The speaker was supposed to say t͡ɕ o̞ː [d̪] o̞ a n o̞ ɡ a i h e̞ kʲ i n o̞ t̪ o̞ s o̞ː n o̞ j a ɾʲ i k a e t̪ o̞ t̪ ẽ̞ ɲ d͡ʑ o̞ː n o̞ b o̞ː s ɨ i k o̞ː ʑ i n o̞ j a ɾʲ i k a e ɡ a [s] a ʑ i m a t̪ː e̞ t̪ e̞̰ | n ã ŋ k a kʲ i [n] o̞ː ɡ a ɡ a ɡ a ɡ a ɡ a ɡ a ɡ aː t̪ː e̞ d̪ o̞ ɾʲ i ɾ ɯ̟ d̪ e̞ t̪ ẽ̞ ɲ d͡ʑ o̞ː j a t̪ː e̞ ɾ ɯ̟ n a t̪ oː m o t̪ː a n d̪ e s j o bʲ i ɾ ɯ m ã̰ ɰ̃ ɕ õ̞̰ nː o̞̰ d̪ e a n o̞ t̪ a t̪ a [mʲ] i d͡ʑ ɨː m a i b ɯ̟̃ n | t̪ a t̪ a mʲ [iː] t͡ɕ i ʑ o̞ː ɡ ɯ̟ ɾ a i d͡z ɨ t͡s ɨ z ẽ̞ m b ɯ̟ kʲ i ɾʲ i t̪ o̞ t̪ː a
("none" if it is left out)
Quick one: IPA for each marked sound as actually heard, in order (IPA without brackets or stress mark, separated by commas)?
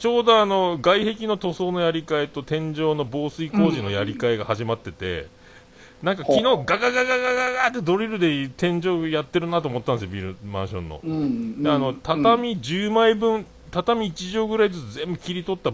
d̪, h, n, mʲ, iː